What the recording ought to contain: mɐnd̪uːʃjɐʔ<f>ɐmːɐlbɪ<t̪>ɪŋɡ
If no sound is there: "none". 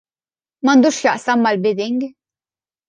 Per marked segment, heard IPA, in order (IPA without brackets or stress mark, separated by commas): s, d̪